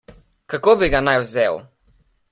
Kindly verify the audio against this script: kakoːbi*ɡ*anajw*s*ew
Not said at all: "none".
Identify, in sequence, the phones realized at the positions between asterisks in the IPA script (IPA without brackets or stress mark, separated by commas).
ɡ, z